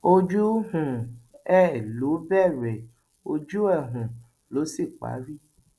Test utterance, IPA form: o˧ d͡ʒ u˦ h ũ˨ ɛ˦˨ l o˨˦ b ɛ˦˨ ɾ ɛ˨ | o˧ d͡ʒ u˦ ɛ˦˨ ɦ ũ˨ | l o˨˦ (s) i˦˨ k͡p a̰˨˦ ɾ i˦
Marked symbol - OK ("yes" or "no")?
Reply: yes